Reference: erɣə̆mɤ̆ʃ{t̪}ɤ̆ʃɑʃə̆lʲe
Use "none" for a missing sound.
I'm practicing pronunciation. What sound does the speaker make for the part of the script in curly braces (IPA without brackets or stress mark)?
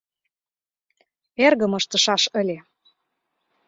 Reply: t̪